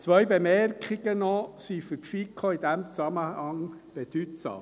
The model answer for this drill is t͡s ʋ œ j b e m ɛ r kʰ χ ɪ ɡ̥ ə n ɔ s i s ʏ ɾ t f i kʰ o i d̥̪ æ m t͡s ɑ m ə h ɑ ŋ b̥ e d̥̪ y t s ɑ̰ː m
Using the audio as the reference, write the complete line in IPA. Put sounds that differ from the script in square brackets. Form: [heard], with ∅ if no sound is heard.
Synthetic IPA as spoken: t͡s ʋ œ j b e m ɛ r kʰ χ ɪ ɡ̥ ə n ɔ s i [f] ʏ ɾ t f i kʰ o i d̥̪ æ m t͡s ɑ m ə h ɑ ŋ b̥ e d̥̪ y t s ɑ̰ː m